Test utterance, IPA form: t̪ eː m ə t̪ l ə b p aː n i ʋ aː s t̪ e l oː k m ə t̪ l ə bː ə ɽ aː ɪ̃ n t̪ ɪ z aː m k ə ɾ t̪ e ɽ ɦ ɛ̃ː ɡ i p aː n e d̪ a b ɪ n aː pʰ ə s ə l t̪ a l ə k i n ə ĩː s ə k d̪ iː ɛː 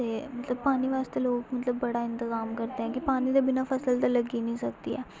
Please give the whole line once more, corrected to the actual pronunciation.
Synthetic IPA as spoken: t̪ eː m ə t̪ l ə b p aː n i ʋ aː s t̪ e l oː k m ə t̪ l ə bː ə ɽ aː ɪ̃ n t̪ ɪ z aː m k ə ɾ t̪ e ɦ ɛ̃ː k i p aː n i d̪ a b ɪ n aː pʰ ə s ə l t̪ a l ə ɡ i n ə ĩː s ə k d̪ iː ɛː